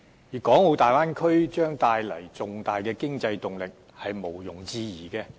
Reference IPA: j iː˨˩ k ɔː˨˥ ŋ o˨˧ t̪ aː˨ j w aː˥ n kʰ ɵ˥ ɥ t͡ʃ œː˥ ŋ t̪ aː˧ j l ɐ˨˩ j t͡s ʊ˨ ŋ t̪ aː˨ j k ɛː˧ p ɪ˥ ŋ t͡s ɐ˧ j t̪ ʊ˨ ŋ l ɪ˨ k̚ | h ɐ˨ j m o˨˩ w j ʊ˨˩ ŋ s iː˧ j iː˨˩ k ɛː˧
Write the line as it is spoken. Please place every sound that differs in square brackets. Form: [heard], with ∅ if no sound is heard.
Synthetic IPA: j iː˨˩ k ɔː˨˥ ŋ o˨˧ t̪ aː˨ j w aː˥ n kʰ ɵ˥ ɥ t͡ʃ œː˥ ŋ t̪ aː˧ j l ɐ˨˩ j t͡s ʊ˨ ŋ t̪ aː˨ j k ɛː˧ [k] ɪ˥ ŋ t͡s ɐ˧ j t̪ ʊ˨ ŋ l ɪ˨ k̚ | h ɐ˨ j m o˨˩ w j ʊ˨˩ ŋ [t͡s] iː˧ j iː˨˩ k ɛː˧